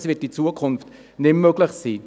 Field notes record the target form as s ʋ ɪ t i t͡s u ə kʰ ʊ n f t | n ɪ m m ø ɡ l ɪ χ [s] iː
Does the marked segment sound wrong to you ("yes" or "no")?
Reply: no